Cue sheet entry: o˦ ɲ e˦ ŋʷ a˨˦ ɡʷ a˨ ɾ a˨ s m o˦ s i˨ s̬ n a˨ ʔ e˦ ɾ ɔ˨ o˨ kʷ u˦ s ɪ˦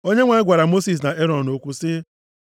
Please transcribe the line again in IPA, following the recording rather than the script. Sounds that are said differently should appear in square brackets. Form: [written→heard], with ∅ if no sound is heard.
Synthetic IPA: o˦ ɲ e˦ ŋʷ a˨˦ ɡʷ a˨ ɾ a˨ [s→∅] m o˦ s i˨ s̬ n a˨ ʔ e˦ ɾ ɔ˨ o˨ kʷ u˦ s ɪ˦